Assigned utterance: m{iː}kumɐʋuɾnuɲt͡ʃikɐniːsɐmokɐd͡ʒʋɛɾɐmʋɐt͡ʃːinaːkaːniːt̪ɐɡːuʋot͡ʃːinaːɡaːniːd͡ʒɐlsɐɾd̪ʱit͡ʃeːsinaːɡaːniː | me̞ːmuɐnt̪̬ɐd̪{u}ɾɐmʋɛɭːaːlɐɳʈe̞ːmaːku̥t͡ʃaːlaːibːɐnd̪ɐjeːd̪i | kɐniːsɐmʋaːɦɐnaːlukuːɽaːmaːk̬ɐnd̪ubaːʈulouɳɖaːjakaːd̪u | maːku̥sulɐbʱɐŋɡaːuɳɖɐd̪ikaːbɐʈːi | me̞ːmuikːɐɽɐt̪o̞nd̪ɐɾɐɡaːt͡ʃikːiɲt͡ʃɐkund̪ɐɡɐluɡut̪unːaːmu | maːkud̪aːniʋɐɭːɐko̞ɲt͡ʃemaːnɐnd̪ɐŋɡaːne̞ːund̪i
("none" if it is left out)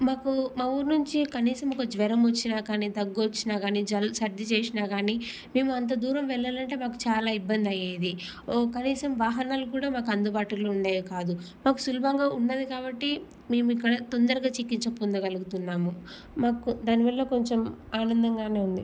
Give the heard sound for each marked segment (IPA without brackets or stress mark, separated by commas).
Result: aː, uː